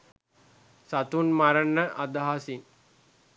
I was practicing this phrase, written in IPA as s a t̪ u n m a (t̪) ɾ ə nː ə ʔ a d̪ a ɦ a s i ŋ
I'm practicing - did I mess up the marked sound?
yes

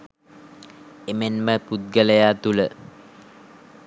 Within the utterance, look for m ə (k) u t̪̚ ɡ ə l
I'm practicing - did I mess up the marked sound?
yes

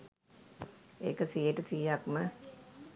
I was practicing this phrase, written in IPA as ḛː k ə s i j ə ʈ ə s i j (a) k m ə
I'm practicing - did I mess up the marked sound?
no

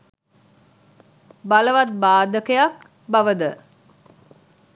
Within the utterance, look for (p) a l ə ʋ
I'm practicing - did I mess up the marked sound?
yes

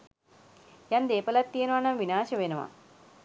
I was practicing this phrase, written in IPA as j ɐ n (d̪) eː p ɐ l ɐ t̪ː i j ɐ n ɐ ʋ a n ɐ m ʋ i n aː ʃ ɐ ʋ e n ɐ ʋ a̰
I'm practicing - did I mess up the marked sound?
no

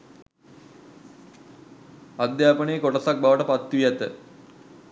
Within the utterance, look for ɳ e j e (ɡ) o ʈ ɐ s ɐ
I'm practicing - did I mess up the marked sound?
yes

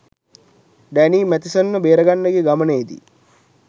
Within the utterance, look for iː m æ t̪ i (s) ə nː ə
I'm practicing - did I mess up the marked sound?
no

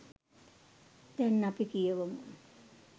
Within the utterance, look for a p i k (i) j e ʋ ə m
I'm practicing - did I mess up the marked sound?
no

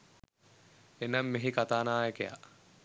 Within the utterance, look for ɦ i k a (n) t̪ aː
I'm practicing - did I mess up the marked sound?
yes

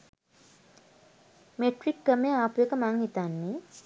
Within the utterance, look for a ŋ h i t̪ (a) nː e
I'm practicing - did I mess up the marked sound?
no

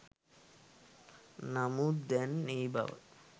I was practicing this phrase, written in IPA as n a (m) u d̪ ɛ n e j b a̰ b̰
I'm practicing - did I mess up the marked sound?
no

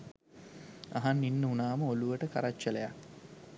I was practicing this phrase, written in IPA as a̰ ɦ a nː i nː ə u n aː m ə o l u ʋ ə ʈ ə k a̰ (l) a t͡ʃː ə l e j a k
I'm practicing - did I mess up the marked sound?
yes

